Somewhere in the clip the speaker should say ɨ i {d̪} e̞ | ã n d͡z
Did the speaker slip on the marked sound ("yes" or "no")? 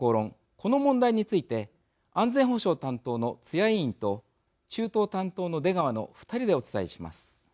yes